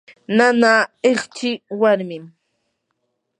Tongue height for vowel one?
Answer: low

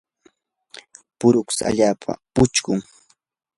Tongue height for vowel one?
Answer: high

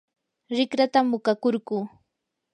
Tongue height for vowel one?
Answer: high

